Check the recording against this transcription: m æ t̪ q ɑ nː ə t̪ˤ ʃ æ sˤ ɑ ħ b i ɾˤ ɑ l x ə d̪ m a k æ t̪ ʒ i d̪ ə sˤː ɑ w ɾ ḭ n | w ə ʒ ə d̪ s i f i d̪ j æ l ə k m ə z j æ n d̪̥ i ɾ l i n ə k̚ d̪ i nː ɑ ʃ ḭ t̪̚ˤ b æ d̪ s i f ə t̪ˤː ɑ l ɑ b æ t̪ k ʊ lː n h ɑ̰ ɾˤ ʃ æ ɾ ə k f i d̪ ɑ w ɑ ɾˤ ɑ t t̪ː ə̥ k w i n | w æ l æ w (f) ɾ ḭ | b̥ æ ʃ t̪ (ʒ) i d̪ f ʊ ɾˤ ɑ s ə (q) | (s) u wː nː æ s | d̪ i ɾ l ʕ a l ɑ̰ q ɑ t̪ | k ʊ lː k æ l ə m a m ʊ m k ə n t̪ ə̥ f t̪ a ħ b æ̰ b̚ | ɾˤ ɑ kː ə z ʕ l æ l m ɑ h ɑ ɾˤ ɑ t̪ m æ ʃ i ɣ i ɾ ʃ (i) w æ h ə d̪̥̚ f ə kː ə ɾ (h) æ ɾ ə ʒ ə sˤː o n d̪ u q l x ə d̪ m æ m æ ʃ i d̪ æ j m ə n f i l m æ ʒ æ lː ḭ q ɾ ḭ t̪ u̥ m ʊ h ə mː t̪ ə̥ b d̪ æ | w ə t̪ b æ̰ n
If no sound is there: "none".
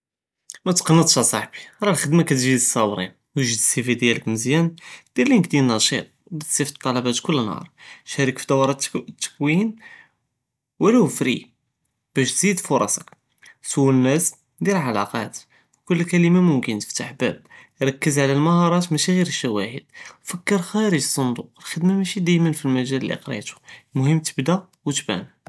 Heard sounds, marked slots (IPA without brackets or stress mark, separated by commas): f, z, k, s, æ, x